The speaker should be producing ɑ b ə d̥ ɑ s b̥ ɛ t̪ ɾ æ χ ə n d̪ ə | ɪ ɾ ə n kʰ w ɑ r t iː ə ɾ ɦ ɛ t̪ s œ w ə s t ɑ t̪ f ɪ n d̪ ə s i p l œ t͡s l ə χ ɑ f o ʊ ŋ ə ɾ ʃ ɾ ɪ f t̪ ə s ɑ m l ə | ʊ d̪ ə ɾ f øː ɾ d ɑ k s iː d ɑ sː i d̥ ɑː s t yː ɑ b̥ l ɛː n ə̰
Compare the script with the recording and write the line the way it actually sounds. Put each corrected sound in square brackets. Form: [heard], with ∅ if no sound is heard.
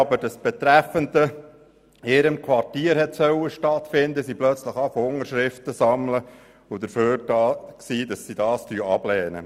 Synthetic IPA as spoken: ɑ b ə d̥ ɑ s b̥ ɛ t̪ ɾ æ [f] ə n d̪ ə | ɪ ɾ ə [m] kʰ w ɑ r t iː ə ɾ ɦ ɛ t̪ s œ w ə [ʃ] t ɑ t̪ f ɪ n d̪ ə s i p l œ t͡s l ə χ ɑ f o ʊ ŋ ə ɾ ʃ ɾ ɪ f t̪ ə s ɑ m l ə | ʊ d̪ ə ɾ f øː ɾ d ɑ k s iː d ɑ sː i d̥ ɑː s t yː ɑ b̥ l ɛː n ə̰